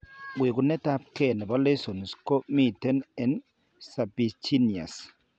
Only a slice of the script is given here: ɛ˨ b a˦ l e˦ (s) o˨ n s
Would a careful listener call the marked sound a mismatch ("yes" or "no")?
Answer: no